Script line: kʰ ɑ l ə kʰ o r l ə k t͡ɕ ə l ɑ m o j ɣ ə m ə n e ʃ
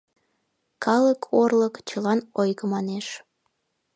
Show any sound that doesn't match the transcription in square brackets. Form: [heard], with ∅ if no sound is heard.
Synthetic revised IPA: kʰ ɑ l ə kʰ o r l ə k t͡ɕ ə l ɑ [n] o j ɣ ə m [ɑ] n e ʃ